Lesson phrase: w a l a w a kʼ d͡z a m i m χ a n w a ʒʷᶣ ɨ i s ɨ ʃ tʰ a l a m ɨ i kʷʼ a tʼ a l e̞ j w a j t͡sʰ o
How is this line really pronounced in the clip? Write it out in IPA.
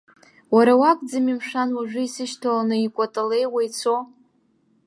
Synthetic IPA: w a ɾ a w a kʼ d͡z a m i m ʂ a n w a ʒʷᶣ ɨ i s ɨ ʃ tʰ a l a n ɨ i kʷʼ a tʼ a l e̞ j w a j t͡sʰ o